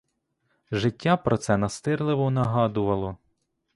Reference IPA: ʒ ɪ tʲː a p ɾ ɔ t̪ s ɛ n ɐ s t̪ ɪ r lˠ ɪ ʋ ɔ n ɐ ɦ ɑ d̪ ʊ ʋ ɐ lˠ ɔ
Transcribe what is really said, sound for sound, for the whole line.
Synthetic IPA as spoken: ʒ ɪ tʲː a p ɾ ɔ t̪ s ɛ n ɐ s t̪ ɪ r lˠ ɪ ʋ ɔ n ɐ ɦ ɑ d̪ ʊ ʋ ɐ lˠ ɔ